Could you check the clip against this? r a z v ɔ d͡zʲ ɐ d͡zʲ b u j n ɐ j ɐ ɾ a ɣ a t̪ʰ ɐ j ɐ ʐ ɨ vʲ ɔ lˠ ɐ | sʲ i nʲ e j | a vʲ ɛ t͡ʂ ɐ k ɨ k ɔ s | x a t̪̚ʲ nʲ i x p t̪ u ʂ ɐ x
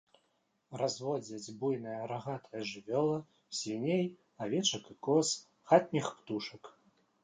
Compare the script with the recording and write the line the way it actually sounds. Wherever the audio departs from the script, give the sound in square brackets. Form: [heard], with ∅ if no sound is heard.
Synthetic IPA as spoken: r a z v ɔ d͡zʲ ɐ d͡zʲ b u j n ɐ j ɐ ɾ a ɣ a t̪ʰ ɐ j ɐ ʐ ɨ vʲ ɔ lˠ ɐ | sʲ i nʲ e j | a vʲ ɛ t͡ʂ ɐ k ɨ k ɔ s | x a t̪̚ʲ nʲ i x p t̪ u ʂ ɐ [k]